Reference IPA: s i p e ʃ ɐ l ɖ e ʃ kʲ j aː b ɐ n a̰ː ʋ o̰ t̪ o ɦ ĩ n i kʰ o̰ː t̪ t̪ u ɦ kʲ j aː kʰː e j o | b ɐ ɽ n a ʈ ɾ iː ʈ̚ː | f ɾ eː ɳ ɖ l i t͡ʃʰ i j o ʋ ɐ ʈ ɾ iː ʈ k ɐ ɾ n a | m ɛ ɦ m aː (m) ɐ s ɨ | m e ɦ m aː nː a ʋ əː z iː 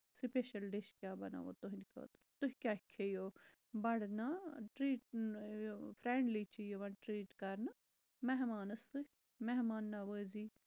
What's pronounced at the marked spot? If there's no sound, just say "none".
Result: n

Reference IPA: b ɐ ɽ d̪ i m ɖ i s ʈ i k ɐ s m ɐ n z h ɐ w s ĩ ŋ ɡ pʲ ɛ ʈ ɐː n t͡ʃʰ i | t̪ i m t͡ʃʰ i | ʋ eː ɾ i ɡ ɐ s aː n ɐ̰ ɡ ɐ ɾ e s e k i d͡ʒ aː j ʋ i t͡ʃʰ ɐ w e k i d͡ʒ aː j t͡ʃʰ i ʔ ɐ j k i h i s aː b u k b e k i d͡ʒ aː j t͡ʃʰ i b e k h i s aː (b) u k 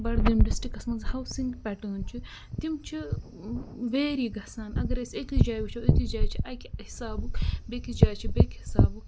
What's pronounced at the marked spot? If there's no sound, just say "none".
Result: b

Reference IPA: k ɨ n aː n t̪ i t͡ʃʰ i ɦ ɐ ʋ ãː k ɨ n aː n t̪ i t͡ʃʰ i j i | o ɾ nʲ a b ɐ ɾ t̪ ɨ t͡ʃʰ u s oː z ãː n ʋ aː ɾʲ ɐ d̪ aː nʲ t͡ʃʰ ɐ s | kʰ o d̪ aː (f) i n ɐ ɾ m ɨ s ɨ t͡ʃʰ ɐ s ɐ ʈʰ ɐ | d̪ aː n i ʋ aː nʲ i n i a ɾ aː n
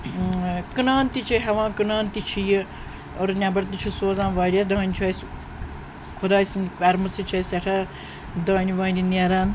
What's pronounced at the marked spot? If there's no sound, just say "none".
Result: s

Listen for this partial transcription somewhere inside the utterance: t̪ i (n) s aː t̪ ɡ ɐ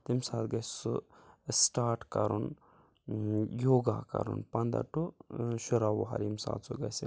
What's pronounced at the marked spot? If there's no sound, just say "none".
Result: m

